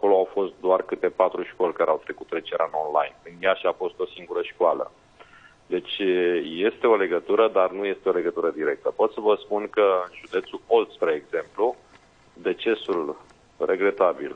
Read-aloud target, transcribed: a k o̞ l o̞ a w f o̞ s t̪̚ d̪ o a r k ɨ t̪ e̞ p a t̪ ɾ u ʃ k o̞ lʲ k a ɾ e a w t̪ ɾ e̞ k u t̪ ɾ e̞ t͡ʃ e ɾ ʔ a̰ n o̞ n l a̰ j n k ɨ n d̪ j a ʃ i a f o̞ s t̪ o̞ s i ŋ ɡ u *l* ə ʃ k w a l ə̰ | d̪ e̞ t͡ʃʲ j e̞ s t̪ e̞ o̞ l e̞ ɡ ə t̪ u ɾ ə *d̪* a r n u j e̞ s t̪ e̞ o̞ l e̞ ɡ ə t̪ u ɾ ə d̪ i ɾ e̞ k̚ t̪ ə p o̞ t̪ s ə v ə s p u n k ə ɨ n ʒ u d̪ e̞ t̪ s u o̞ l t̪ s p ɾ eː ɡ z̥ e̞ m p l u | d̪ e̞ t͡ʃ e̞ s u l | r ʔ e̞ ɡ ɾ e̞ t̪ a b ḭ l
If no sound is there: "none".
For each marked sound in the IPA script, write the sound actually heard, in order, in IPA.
ɾ, d̪

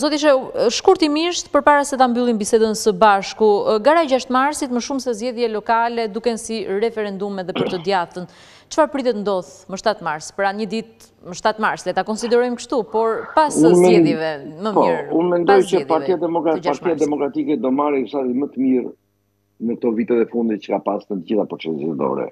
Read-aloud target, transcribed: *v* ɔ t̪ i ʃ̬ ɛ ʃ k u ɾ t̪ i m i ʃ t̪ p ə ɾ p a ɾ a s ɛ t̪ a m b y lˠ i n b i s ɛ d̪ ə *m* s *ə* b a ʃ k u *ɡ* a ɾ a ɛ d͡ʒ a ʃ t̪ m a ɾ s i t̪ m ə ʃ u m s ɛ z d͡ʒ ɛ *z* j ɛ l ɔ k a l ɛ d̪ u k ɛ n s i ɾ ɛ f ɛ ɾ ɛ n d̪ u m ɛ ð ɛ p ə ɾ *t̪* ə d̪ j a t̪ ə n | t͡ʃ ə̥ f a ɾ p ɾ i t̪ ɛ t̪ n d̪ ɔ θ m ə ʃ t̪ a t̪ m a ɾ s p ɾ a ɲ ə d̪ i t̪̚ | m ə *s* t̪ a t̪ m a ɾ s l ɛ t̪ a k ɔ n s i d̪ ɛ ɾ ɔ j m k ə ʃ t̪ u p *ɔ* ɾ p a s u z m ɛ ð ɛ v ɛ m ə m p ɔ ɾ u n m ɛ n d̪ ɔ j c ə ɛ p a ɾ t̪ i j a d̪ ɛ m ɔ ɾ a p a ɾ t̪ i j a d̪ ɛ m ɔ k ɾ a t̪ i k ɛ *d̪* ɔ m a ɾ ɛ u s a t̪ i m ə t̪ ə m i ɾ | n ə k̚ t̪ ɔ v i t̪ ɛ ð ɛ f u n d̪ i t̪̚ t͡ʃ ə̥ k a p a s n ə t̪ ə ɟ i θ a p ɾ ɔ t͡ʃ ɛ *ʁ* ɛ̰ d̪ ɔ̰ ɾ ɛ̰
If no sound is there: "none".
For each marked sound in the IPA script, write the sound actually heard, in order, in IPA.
z, n, ə, ɡ, ð, t̪, ʃ, ɔ, d̪, z

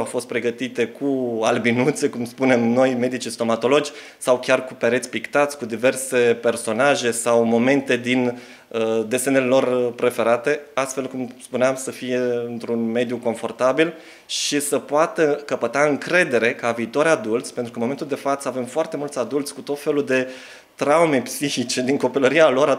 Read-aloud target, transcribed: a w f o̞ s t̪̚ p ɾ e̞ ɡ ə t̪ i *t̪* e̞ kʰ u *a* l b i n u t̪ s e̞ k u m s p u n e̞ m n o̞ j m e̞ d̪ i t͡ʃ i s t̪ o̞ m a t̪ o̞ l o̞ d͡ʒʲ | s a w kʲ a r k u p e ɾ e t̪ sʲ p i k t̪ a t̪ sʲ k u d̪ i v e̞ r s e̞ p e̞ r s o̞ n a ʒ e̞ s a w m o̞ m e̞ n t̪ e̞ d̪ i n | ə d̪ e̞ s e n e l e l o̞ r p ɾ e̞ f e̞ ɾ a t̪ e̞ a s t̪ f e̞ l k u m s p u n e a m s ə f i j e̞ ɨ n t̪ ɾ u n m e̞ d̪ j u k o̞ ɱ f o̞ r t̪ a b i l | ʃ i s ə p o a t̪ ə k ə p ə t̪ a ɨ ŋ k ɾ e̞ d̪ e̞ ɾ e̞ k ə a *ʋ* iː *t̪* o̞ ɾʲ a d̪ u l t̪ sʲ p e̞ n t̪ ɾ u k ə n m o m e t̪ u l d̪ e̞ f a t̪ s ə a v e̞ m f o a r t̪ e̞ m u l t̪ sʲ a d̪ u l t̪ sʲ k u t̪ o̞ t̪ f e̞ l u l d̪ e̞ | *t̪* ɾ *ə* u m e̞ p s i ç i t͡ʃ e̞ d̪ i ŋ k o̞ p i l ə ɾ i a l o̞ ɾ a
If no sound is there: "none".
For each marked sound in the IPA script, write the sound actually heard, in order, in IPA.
t̪, a, v, t̪, t̪, a

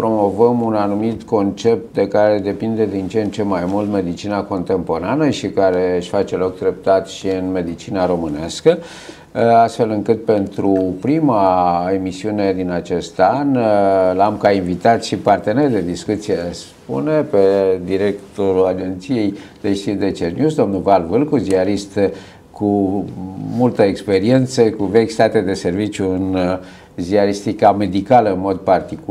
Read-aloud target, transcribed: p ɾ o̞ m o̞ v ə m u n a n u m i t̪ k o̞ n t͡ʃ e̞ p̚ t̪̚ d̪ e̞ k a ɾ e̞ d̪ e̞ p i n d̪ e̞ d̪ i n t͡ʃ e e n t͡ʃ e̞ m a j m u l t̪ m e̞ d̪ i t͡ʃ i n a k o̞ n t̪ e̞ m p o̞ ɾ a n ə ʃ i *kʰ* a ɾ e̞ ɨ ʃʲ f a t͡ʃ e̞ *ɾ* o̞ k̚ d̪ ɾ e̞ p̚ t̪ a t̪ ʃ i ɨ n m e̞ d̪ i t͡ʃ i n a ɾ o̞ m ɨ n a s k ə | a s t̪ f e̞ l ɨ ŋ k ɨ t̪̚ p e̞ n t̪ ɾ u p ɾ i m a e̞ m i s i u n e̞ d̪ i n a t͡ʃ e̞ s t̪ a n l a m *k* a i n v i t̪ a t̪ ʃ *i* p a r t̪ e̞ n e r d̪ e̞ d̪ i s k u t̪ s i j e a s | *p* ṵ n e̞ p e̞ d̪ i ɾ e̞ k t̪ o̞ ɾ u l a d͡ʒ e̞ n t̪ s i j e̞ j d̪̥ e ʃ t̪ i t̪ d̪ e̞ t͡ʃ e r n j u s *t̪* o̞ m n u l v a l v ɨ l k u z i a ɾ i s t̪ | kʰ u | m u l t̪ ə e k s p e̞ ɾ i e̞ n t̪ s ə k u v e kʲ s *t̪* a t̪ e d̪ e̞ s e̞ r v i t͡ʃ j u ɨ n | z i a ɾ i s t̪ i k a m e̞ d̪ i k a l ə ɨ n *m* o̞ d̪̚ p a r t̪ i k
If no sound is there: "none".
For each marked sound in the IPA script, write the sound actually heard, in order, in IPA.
k, l, k, i, p, d̪, t̪, m

